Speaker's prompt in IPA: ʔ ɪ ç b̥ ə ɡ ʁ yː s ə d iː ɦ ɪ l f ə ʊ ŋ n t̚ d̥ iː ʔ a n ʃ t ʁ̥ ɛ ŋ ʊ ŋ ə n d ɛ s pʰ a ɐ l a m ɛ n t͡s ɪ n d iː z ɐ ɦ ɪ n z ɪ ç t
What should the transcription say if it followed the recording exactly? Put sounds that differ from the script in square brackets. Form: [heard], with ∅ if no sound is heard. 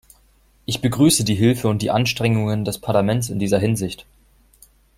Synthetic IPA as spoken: ʔ ɪ ç b̥ ə ɡ ʁ yː s ə d iː ɦ ɪ l f ə ʊ [∅] n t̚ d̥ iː ʔ a n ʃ t ʁ̥ ɛ ŋ ʊ ŋ ə n d ɛ s pʰ a ɐ l a m ɛ n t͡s ɪ n d iː z ɐ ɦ ɪ n z ɪ ç t